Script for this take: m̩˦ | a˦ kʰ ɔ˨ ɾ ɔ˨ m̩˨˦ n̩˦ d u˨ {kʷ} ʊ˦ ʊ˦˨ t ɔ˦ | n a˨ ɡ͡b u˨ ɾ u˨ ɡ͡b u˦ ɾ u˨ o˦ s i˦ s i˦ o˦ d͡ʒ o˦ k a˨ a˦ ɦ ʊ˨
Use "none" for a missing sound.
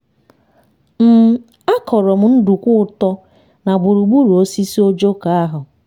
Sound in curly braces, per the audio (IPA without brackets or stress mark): kʷ